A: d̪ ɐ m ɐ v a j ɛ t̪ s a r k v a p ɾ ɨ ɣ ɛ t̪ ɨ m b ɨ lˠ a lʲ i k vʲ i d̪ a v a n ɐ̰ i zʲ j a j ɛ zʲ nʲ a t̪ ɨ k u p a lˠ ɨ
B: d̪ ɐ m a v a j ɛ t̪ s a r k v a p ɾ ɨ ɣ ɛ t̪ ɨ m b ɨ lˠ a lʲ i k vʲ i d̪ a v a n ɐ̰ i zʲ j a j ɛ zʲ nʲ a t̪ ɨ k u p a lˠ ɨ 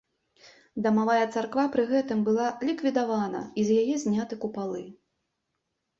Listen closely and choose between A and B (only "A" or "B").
B